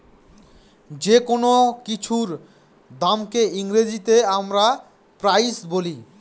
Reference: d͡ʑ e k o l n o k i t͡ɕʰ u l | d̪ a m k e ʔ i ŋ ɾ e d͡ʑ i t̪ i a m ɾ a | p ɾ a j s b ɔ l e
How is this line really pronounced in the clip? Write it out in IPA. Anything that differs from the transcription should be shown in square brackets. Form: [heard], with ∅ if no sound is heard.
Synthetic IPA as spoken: d͡ʑ e k o [∅] n o k i t͡ɕʰ u [ɾ] | d̪ a m k e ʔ i ŋ ɾ e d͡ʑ i t̪ [e] a m ɾ a | p ɾ a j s b [o] l [i]

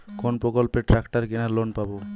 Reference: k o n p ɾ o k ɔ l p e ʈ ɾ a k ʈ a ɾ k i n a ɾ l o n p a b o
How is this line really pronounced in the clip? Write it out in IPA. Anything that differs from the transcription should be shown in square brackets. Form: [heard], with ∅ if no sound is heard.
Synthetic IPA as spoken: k o n p ɾ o k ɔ l p e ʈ ɾ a k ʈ a ɾ k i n a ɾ l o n p a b o

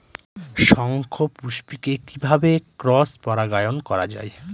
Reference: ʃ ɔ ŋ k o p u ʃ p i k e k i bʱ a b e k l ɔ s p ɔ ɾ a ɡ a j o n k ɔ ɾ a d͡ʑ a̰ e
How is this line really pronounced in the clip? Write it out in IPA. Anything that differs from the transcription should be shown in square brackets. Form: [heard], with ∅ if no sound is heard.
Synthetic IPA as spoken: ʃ ɔ ŋ [kʰ] o p u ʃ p i k e k i bʱ a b e k [ɾ] ɔ s p ɔ ɾ a ɡ a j o n k ɔ ɾ a d͡ʑ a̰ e

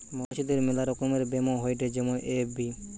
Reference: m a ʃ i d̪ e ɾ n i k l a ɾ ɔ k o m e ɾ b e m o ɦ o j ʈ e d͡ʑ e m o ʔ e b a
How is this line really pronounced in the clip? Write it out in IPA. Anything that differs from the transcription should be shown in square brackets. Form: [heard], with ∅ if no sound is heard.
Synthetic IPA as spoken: m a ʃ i d̪ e ɾ [m] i [∅] l a ɾ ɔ k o m e ɾ b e m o ɦ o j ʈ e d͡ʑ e m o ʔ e b [i]

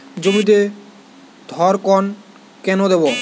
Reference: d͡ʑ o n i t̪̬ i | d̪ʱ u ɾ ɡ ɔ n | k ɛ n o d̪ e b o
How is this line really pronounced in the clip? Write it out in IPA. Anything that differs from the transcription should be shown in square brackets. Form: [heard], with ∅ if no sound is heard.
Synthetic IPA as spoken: d͡ʑ o [m] i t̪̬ [e] | d̪ʱ [ɔ] ɾ [k] ɔ n | k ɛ n o d̪ e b o

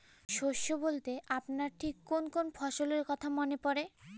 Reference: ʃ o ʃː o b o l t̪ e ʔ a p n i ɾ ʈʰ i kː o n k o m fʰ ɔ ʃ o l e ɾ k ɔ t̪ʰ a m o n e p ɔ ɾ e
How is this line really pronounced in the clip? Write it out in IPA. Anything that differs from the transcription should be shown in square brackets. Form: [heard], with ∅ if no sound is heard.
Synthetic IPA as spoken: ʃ o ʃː o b o l t̪ e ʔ a p n [a] ɾ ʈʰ i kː o n k o [n] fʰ ɔ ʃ o l e ɾ k ɔ t̪ʰ a m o n e p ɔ ɾ e

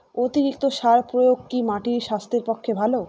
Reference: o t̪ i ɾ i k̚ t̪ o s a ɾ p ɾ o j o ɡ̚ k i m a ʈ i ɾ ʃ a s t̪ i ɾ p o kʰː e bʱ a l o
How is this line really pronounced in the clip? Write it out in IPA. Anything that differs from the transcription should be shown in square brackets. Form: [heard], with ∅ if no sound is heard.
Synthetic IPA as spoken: o t̪ i ɾ i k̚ t̪ o [ʃ] a ɾ p ɾ o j o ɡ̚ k i m a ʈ i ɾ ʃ a s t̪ [e] ɾ p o kʰː e bʱ a l o

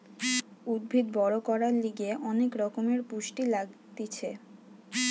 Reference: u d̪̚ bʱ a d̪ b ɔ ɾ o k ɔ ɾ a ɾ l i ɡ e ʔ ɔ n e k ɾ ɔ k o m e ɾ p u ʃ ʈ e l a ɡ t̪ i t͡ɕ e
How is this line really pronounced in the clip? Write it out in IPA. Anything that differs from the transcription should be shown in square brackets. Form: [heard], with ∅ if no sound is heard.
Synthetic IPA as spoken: u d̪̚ bʱ [i] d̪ b ɔ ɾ o k ɔ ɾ a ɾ l i ɡ e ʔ ɔ n e k ɾ ɔ k o m e ɾ p u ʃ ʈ [i] l a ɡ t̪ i [t͡ɕʰ] e

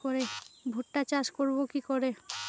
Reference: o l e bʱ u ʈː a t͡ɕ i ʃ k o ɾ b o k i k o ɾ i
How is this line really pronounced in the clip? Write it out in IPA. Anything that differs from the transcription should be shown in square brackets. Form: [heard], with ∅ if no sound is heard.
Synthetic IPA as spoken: o [ɾ] e bʱ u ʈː a t͡ɕ [a] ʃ k o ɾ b o k i k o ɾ [e]

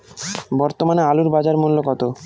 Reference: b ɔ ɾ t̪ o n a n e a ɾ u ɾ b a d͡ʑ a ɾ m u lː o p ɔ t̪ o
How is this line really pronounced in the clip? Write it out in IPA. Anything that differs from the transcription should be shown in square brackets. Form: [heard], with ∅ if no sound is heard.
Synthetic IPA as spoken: b ɔ ɾ t̪ o [m] a n e a [l] u ɾ b a d͡ʑ a ɾ m u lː o [k] ɔ t̪ o

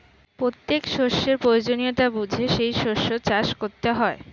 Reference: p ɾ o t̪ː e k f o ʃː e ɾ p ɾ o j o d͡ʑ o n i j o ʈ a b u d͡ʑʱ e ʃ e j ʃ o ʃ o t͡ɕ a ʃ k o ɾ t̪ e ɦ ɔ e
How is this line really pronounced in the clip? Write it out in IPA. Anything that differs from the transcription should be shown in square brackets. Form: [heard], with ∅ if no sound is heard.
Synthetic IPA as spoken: p ɾ o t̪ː e k [ʃ] o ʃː e ɾ p ɾ o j o d͡ʑ o n i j o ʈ a b u d͡ʑʱ e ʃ e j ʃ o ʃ o t͡ɕ a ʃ k o ɾ t̪ e ɦ ɔ e

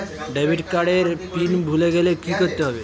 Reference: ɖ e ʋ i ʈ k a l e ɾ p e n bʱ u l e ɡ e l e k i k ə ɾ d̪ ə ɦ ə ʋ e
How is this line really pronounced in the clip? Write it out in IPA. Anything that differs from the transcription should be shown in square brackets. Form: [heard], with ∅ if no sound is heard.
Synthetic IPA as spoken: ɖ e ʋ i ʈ k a [ɽ] e ɾ p [i] n bʱ u l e ɡ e l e k i k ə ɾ [t̪] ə ɦ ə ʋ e

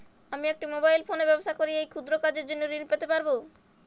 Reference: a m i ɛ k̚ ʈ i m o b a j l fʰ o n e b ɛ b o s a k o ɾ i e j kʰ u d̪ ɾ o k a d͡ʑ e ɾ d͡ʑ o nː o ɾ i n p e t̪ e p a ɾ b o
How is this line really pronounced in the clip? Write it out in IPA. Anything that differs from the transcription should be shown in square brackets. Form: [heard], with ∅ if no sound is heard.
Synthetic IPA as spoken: a m i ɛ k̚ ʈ i m o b a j l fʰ o n e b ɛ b o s a k o ɾ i e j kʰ u d̪ ɾ o k a d͡ʑ e ɾ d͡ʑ o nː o ɾ i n p e t̪ e p a ɾ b o

